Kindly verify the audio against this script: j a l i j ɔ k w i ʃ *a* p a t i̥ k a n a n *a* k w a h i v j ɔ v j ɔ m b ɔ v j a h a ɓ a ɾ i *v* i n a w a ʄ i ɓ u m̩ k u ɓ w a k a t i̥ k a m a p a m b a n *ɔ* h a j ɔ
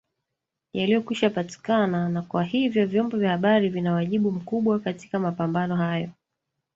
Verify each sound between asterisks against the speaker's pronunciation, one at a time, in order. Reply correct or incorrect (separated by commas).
correct, correct, correct, correct